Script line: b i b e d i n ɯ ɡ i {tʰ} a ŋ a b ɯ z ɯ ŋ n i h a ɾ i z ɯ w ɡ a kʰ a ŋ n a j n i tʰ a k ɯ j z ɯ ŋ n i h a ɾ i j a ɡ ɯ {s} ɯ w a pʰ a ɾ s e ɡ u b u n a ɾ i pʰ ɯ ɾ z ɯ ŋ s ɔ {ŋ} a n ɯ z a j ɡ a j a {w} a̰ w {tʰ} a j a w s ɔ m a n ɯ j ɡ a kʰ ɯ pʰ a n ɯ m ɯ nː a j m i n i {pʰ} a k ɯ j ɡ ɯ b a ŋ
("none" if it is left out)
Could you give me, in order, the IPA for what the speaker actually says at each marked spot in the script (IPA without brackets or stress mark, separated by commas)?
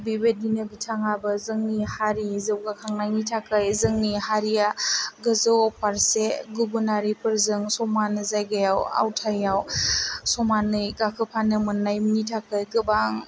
tʰ, z, m, w, tʰ, tʰ